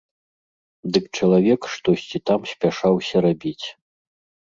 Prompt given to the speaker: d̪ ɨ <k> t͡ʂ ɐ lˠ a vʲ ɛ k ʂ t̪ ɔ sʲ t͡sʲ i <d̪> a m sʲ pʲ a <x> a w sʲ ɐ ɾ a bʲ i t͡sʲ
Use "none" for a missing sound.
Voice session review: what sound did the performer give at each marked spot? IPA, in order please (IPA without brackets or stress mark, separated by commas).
k, t̪, ʂ